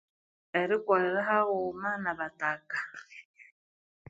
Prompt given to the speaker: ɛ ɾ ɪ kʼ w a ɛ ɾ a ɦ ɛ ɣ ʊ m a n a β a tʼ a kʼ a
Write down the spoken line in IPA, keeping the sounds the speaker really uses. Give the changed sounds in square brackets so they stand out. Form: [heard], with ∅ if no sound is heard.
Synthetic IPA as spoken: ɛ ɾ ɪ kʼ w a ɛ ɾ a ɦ [a] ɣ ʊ m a n a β a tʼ a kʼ a